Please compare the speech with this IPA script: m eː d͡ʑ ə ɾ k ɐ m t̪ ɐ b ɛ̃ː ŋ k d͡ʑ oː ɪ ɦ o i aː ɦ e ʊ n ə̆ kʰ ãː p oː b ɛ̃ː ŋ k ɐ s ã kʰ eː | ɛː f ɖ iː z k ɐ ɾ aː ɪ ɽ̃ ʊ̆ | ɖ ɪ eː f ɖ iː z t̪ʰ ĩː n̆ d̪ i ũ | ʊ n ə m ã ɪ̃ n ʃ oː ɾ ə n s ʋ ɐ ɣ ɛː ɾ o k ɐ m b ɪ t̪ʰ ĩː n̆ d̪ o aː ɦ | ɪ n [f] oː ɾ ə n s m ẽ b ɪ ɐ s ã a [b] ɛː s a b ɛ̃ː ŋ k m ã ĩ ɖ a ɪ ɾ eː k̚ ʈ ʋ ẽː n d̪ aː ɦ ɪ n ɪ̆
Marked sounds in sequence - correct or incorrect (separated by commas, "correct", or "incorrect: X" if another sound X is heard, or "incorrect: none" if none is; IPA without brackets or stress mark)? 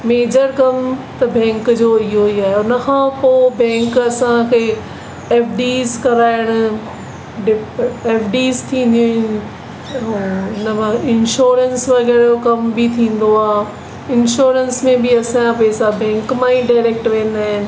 incorrect: ʃ, incorrect: p